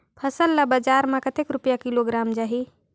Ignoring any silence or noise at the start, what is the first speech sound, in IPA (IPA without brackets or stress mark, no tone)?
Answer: pʰ